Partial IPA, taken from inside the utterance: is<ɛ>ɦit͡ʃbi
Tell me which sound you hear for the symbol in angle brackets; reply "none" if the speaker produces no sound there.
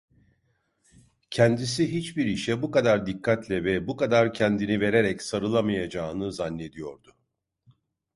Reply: i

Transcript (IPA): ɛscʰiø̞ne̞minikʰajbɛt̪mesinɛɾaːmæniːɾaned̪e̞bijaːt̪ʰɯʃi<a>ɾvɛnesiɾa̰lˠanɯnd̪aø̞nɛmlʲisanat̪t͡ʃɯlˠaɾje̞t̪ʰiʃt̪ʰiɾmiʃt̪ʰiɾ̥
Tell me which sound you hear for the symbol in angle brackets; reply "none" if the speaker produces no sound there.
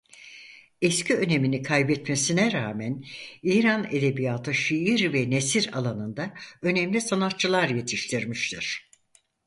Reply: i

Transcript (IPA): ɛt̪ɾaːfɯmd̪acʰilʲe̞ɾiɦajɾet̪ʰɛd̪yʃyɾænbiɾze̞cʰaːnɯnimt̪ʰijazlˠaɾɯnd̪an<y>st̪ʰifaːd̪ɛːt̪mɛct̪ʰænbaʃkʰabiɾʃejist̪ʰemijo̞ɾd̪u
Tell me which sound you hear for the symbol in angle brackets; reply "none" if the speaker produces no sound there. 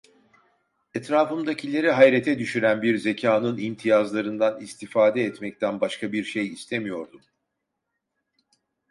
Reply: i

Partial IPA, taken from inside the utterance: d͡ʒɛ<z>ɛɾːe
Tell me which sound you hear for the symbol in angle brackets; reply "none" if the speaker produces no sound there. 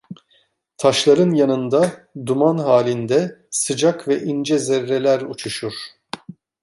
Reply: z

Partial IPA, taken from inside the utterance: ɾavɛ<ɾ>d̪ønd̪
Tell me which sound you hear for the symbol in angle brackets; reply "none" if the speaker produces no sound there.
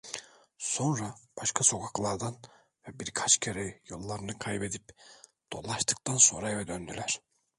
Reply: none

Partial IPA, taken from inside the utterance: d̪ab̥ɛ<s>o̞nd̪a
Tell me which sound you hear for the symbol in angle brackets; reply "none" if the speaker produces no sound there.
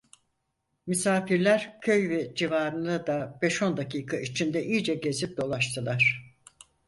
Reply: ʃ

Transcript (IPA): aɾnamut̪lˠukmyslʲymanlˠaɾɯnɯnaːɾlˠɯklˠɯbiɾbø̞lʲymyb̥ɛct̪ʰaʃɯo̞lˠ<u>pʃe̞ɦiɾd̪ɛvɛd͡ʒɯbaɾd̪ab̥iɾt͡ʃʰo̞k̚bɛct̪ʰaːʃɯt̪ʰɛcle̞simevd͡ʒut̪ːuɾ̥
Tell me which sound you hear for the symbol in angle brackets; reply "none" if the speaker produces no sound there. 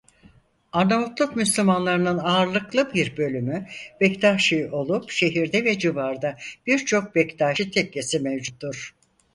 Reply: u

